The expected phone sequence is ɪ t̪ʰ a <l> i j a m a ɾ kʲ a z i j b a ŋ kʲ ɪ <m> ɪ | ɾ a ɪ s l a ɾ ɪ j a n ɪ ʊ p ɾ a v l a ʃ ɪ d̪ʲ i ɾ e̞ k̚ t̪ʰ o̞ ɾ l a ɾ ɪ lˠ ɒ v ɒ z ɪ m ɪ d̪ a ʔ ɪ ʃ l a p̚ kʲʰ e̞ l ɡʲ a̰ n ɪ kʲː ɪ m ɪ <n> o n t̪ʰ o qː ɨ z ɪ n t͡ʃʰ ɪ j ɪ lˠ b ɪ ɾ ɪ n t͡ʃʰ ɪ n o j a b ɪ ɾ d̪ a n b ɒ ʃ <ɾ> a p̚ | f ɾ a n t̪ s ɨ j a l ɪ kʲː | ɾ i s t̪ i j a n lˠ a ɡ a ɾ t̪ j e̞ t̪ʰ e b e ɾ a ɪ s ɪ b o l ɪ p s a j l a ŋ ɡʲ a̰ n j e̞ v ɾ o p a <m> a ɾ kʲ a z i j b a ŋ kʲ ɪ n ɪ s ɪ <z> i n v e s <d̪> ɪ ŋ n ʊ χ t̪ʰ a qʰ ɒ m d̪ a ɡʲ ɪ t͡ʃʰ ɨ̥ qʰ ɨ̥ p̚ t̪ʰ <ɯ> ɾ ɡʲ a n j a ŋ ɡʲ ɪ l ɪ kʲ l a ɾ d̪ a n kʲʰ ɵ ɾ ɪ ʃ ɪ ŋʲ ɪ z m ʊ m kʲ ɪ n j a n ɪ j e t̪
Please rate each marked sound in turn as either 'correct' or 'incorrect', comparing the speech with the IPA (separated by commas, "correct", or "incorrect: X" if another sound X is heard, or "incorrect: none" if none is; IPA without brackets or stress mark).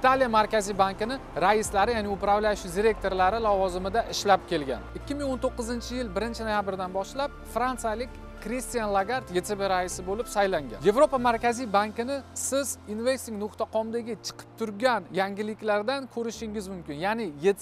correct, incorrect: n, incorrect: ŋ, incorrect: l, correct, correct, incorrect: t̪, incorrect: ʊ